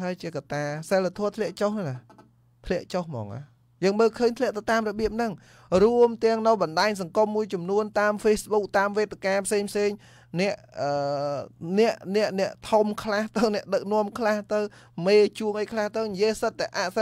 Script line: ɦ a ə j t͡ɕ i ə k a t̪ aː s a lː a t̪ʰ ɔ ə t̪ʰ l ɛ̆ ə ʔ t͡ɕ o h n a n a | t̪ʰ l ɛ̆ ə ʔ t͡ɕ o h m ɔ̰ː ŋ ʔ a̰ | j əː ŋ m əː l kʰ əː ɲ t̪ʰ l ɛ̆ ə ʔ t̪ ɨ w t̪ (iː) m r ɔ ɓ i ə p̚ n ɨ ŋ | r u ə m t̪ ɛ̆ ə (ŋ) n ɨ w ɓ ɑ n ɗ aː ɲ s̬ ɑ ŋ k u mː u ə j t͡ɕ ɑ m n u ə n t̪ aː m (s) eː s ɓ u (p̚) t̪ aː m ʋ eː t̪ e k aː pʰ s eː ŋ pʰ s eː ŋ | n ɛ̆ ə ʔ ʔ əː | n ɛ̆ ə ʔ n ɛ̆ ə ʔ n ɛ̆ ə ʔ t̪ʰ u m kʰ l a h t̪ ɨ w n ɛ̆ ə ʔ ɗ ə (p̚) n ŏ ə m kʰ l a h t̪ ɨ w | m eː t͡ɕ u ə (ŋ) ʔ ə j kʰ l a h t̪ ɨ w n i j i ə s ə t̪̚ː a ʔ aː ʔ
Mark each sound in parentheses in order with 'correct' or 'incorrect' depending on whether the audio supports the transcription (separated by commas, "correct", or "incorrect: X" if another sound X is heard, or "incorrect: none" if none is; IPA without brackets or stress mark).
incorrect: aː, correct, incorrect: f, incorrect: k̚, incorrect: k̚, correct